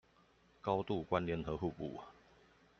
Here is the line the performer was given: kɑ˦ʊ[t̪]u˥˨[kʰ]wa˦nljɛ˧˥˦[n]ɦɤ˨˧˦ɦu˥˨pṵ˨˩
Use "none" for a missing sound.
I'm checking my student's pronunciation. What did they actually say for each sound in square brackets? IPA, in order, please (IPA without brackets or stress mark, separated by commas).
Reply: t̪, k, n